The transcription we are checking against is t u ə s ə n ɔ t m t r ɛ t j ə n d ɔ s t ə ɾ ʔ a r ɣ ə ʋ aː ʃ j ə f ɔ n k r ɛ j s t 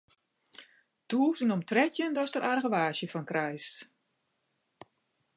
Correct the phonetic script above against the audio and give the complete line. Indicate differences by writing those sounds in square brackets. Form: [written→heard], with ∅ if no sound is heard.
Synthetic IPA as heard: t u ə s ə n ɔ [t→∅] m t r ɛ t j ə n d ɔ s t ə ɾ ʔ a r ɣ ə ʋ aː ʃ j ə f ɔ n k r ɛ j s t